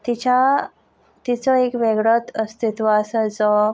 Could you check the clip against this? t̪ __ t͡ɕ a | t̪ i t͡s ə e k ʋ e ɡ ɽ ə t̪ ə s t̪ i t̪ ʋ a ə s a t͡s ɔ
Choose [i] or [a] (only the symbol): i